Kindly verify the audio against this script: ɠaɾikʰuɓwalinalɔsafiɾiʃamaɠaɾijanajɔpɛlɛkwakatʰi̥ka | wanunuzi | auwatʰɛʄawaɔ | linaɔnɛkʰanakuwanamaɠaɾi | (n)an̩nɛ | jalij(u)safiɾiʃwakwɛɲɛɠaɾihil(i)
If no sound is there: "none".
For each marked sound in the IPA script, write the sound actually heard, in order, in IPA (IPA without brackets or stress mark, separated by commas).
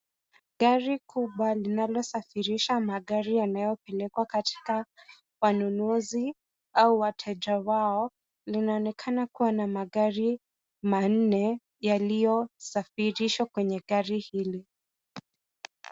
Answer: m, ɔ, i